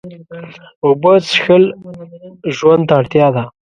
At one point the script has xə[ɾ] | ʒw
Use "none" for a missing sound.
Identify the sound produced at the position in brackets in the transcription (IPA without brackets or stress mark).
l